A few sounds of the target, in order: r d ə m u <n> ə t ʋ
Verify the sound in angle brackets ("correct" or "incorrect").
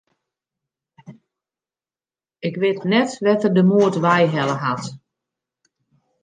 incorrect